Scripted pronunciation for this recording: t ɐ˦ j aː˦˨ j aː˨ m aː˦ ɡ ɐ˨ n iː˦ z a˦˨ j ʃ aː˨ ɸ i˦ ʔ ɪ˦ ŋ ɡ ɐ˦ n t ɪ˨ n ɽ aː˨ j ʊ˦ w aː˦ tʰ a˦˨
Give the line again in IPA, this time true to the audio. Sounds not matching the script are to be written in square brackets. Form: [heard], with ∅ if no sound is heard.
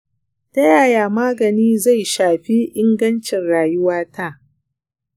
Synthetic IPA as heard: t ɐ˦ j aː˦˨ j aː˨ m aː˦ ɡ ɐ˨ n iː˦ z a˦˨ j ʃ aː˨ ɸ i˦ ʔ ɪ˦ ŋ ɡ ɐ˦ n [t͡ʃ] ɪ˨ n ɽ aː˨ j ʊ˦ w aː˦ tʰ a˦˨